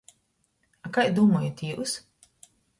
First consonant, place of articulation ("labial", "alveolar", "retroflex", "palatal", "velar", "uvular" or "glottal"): velar